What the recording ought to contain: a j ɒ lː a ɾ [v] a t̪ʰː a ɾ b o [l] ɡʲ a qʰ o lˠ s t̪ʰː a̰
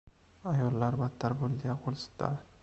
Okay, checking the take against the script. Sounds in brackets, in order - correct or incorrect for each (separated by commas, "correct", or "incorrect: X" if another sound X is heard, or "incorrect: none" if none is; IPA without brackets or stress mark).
incorrect: b, correct